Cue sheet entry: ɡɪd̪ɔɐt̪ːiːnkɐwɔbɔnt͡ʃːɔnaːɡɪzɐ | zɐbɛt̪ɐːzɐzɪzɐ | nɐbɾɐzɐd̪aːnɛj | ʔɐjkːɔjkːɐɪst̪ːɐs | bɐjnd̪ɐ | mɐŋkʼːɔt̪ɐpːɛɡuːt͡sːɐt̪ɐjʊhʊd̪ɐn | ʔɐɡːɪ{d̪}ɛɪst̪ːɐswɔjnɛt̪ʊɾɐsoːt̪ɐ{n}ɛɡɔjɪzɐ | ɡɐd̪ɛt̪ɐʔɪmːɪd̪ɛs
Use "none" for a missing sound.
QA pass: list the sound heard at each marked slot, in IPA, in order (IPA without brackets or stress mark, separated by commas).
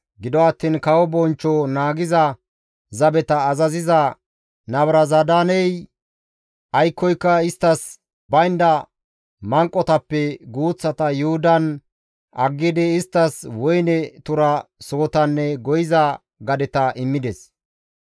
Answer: d̪, nː